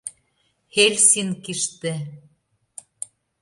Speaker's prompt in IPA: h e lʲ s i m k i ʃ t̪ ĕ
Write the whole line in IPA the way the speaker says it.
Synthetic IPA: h e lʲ s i n k i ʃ t̪ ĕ